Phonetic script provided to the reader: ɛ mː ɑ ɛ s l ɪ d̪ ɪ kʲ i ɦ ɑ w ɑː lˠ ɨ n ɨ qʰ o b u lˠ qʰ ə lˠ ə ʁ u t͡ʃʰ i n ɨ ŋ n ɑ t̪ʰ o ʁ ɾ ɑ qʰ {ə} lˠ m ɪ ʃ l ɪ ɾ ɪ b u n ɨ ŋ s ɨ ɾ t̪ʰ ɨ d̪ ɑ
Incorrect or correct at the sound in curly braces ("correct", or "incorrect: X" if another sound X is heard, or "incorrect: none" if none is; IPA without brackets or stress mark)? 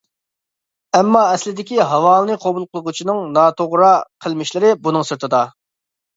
correct